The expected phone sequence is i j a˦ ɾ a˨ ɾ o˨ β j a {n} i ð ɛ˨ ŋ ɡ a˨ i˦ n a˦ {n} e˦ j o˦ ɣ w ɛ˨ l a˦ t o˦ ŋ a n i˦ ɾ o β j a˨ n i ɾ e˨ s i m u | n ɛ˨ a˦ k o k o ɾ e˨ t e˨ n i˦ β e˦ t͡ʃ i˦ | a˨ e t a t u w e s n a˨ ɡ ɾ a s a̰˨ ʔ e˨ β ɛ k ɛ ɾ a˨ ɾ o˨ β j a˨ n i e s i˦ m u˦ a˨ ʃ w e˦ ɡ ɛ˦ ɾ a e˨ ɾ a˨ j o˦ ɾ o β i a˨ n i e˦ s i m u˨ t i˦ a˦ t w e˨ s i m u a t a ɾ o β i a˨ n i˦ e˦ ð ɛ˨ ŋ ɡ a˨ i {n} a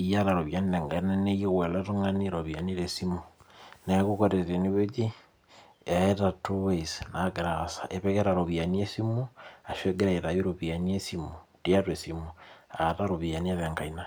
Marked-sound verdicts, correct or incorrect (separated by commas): correct, correct, correct